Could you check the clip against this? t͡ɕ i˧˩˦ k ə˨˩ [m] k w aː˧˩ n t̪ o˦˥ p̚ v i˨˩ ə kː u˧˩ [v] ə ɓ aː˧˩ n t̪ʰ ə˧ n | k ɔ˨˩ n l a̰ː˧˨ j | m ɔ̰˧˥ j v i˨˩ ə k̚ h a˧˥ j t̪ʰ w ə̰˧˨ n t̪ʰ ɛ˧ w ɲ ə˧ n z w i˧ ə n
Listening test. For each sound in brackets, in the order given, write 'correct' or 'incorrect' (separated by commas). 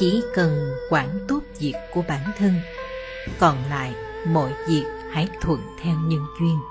incorrect, incorrect